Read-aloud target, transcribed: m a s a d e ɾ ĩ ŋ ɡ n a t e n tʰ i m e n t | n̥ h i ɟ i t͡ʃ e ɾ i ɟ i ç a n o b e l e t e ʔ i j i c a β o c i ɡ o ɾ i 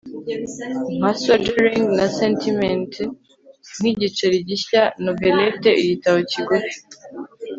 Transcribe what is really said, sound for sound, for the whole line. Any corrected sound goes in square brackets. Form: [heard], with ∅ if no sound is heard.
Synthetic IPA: m a s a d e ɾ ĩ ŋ ɡ n a [s] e n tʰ i m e n t | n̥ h i ɟ i t͡ʃ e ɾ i ɟ i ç a n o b e l e t e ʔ i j i [t] a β o c i ɡ o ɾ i